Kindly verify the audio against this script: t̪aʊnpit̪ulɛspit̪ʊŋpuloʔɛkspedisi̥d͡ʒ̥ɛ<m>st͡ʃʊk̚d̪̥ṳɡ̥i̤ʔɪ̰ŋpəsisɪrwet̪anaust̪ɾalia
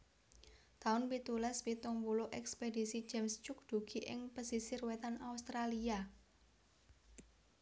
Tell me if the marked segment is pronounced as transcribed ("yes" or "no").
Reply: yes